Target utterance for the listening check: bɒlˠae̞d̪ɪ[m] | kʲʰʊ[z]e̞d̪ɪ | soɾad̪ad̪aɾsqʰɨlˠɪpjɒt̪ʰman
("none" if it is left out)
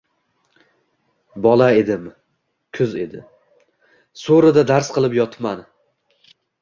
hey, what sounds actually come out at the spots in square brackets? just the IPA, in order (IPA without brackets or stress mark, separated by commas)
m, z